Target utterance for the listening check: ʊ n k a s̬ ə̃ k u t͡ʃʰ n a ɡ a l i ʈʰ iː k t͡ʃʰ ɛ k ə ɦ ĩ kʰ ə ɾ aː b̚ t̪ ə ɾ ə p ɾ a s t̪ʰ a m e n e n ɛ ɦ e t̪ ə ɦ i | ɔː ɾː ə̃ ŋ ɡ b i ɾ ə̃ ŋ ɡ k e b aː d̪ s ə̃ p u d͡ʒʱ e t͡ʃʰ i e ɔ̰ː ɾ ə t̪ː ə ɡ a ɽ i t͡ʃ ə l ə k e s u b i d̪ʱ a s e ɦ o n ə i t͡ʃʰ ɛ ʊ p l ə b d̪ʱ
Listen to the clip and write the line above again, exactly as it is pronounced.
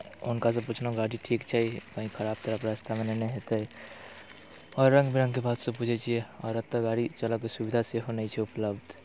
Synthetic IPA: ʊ n k a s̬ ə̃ p u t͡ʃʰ n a ɡ a ɽ i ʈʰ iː k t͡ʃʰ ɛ k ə ɦ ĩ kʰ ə ɾ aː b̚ t̪ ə ɾ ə p ɾ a s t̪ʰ a m e n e n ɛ ɦ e t̪ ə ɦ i | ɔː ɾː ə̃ ŋ ɡ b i ɾ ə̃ ŋ ɡ k e b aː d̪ s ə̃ p u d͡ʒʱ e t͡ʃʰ i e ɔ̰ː ɾ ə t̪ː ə ɡ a ɽ i t͡ʃ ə l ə k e s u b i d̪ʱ a s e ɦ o n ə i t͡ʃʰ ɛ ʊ p l ə b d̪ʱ

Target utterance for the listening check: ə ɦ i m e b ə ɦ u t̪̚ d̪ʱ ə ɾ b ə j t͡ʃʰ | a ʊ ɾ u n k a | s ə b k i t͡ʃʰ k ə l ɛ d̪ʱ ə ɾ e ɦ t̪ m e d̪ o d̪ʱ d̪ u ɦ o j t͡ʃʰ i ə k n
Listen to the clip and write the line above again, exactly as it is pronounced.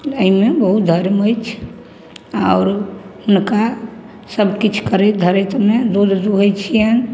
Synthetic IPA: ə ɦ i m e b ə ɦ u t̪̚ d̪ʱ ə ɾ m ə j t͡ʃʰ | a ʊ ɾ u n k a | s ə b k i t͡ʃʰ k ə ɾ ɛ d̪ʱ ə ɾ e t̪ m e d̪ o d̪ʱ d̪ u ɦ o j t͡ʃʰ i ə n

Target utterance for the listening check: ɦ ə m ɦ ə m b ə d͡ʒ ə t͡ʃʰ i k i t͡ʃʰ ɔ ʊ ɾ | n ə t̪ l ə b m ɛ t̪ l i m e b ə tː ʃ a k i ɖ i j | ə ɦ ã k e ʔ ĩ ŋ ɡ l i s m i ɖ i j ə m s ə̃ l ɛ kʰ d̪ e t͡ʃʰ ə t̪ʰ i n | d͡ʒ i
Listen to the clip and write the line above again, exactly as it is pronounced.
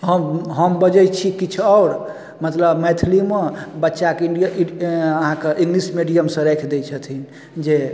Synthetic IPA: ɦ ə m ɦ ə m b ə d͡ʒ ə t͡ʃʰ i k i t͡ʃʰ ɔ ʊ ɾ | m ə t̪ l ə b m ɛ t̪ʰ l i m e b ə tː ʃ a k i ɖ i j | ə ɦ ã k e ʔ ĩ ŋ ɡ l i s m i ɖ i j ə m s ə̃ ɾ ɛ kʰ d̪ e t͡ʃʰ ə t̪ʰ i n | d͡ʒ e

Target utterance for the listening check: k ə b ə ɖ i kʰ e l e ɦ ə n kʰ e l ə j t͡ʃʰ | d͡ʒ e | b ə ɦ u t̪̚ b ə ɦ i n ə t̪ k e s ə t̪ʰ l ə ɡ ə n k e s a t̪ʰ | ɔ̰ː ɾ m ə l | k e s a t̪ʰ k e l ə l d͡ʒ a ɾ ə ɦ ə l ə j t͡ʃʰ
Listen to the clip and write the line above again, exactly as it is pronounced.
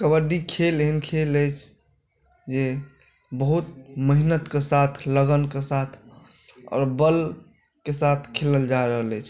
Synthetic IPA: k ə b ə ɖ i kʰ e l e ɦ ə n kʰ e l ə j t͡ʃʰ | d͡ʒ e | b ə ɦ u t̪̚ m ə ɦ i n ə t̪ k e s a t̪ʰ l ə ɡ ə n k e s a t̪ʰ | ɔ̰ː ɾ b ə l | k e s a t̪ʰ kʰ e l ə l d͡ʒ a ɾ ə ɦ ə l ə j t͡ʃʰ

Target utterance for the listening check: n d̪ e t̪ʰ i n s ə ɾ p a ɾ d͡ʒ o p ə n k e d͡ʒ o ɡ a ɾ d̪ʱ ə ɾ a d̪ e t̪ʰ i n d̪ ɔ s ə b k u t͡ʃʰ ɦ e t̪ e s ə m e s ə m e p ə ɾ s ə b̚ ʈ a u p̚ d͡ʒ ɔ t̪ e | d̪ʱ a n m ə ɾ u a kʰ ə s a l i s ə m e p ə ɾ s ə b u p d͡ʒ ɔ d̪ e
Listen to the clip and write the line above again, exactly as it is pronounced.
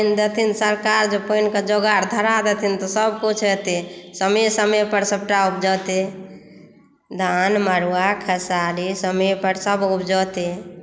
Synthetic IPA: n d̪ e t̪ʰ i n s ə ɾ k a ɾ d͡ʒ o p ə n k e d͡ʒ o ɡ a ɾ d̪ʱ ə ɾ a d̪ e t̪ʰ i n t̪ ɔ s ə b k u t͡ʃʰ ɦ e t̪ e s ə m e s ə m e p ə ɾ s ə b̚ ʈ a u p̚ d͡ʒ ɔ t̪ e | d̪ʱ a n m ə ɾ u a kʰ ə s a l i s ə m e p ə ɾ s ə b u p d͡ʒ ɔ t̪ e

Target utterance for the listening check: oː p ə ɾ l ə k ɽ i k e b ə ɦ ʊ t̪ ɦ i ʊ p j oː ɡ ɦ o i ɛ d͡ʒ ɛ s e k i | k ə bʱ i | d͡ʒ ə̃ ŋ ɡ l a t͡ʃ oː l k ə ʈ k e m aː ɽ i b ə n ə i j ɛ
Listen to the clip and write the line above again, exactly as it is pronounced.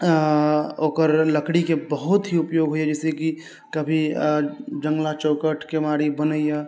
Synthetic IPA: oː k ə ɾ l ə k ɽ i k e b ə ɦ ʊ t̪ ɦ i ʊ p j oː ɡ ɦ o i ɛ d͡ʒ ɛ s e k i | k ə bʱ i | d͡ʒ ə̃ ŋ ɡ l a t͡ʃ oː k ə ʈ k e m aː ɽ i b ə n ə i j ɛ

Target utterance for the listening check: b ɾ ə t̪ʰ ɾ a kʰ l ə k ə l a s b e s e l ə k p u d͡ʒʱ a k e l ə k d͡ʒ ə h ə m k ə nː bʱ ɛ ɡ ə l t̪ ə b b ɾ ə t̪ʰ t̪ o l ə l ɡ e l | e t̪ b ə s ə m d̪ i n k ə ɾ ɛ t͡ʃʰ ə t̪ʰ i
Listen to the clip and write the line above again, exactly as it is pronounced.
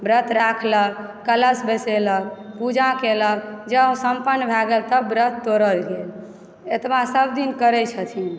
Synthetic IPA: b ɾ ə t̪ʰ ɾ a kʰ l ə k ə l ə s b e s e l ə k p u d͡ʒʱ a k e l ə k d͡ʒ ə s ə m p ə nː bʱ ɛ ɡ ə l t̪ ə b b ɾ ə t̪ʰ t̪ o ɾ ə l ɡ e l | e t̪ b a s ə b d̪ i n k ə ɾ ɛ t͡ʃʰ ə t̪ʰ i

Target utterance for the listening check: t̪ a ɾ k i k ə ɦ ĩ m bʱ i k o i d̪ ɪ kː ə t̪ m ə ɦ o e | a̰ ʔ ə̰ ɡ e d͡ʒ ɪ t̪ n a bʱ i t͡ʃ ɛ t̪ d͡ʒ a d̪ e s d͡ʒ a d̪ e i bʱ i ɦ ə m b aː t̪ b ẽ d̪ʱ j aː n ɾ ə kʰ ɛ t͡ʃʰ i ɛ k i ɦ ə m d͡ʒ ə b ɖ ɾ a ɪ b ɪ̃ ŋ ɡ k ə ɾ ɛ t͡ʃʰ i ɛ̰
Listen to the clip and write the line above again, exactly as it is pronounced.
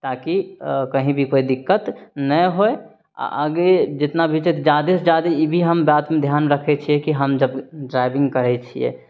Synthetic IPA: t̪ a k i k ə ɦ ĩ bʱ i k o i d̪ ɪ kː ə t̪ n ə ɦ o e | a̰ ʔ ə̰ ɡ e d͡ʒ ɪ t̪ n a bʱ i t͡ʃ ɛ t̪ d͡ʒ a d̪ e s d͡ʒ a d̪ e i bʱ i ɦ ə m b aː t̪ m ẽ d̪ʱ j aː n ɾ ə kʰ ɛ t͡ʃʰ i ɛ k i ɦ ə m d͡ʒ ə b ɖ ɾ a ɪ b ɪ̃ ŋ ɡ k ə ɾ ɛ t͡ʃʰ i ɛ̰

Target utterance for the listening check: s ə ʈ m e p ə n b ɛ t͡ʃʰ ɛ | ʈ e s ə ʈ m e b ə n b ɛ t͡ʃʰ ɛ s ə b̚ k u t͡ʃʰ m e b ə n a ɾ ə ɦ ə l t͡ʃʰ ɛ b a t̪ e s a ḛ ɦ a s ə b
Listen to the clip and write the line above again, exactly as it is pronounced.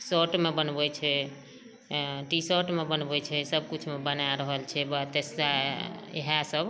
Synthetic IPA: s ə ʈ m e b ə n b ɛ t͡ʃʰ ɛ | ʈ i s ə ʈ m e b ə n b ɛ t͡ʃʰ ɛ s ə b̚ k u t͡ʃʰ m e b ə n a ɾ ə ɦ ə l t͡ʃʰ ɛ b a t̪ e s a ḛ ɦ a s ə b

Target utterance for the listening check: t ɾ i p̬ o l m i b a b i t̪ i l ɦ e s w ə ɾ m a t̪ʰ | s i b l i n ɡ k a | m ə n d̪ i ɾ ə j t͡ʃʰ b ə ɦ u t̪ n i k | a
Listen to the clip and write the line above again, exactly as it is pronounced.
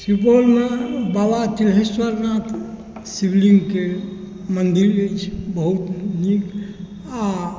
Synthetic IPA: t ɾ i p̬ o l m e b a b a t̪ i l ɦ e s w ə ɾ n a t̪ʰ | s i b l i ŋ ɡ k e | m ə n d̪ i ɾ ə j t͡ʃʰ b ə ɦ u t̪ n i k | a

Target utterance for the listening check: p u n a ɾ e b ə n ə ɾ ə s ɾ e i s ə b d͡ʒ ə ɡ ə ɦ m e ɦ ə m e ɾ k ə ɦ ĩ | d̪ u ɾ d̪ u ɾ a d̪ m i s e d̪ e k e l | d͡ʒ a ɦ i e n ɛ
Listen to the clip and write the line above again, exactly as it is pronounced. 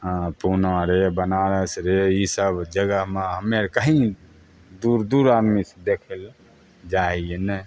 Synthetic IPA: p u n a ɾ e b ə n a ɾ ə s ɾ e i s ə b d͡ʒ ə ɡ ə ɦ m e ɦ ə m e ɾ k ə ɦ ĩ | d̪ u ɾ d̪ u ɾ a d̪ m i s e d̪ e kʰ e l | d͡ʒ a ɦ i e n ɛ

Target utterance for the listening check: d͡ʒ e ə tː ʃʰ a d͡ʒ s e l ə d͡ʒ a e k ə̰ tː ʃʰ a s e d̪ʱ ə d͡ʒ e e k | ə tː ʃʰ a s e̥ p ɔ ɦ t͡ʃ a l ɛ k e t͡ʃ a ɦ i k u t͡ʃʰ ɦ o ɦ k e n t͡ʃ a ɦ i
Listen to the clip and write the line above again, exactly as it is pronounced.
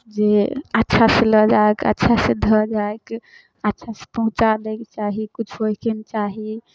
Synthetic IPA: d͡ʒ e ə tː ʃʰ a s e l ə d͡ʒ a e k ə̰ tː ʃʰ a s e d̪ʱ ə d͡ʒ a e k | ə tː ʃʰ a s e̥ p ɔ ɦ t͡ʃ a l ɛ k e t͡ʃ a ɦ i k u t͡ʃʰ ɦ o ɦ k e n t͡ʃ a ɦ i

